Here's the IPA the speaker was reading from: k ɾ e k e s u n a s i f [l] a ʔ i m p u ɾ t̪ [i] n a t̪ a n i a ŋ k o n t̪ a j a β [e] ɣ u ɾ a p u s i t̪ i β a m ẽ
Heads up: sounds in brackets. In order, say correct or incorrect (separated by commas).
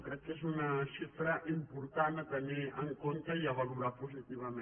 incorrect, incorrect, incorrect